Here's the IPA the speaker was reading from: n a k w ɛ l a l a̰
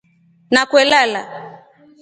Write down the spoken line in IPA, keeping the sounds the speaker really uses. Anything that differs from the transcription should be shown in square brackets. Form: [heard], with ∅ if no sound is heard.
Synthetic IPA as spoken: n a k w ɛ l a l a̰